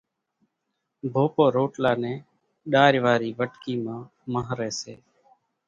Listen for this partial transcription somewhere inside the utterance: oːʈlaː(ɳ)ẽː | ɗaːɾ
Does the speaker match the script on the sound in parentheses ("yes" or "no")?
no